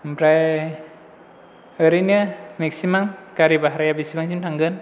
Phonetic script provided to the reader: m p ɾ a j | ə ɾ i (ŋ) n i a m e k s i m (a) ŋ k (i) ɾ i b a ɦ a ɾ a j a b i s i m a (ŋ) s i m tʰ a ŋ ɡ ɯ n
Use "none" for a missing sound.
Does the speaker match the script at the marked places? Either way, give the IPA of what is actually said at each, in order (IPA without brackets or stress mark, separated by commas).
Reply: none, a, a, ŋ